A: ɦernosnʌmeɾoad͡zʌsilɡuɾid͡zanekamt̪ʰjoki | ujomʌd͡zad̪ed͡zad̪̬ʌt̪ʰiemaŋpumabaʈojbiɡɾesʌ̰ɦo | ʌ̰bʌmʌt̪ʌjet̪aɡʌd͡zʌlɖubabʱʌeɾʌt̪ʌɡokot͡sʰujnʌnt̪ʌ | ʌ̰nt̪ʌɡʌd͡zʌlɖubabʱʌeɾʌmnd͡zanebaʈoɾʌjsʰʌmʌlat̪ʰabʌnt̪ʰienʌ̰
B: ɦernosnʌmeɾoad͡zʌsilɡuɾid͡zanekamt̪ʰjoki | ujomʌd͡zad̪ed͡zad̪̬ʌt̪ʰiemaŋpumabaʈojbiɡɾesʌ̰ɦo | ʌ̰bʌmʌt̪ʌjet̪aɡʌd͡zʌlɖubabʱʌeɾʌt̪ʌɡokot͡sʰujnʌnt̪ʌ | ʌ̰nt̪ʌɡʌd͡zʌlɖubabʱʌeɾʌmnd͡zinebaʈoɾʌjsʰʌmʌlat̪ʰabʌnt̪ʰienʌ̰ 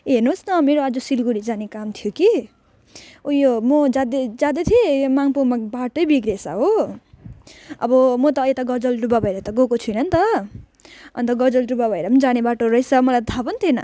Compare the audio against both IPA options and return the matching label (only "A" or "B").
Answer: A